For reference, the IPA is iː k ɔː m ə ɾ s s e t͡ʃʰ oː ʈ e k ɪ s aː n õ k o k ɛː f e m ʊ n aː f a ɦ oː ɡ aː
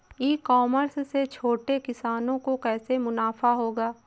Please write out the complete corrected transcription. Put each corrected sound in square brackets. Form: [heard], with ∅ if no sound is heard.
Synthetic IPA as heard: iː k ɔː m ə ɾ s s e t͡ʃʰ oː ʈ e k ɪ s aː n õ k o k ɛː [s] e m ʊ n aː f a ɦ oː ɡ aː